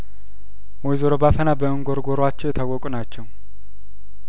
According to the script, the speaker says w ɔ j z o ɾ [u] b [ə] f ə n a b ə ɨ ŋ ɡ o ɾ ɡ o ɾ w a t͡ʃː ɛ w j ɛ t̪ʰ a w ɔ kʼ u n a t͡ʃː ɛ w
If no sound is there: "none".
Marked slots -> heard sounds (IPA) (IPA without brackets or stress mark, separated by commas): o, a